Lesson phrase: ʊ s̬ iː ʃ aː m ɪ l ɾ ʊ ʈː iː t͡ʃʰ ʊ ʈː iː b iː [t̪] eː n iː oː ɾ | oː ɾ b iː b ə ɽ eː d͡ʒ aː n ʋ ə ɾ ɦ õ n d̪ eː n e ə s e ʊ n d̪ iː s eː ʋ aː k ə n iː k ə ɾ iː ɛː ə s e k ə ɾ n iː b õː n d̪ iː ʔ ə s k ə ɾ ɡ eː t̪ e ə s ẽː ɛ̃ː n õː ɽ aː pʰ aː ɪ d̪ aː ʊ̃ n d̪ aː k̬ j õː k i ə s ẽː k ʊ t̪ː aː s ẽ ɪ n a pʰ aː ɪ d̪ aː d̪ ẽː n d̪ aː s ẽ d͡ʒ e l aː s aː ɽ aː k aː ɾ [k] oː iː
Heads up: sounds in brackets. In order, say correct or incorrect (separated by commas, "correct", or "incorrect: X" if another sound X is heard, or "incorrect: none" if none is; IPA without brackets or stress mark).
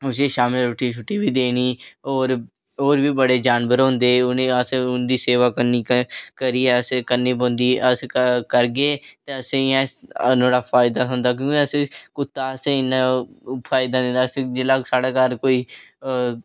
incorrect: d̪, correct